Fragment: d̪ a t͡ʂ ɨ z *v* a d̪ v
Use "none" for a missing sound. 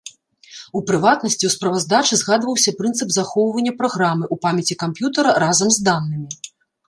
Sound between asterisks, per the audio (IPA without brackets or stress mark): ɣ